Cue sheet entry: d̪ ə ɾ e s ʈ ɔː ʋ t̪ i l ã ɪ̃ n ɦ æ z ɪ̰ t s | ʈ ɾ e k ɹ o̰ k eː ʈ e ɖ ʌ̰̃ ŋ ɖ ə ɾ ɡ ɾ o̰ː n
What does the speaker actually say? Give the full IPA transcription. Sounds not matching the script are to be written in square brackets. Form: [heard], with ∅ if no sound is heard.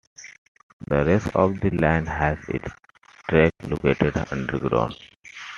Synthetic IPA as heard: d̪ ə ɾ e s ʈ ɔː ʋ [d̪] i l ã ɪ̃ n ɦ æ z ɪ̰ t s | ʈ ɾ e k [l] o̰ k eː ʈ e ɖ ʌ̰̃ [ɳ] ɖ ə ɾ ɡ ɾ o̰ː n